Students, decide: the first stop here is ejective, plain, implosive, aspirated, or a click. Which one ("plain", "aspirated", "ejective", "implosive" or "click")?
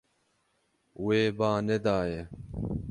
plain